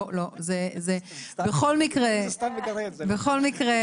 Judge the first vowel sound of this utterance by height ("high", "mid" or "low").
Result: mid